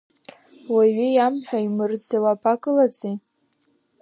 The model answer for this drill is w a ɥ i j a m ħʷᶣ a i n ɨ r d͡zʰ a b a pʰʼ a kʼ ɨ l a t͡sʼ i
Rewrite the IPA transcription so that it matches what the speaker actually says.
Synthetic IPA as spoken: w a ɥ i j a m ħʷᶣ a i m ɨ r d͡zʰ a w a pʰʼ a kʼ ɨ l a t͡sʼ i